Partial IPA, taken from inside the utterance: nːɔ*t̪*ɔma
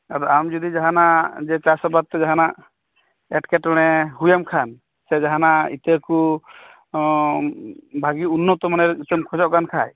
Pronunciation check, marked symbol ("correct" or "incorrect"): correct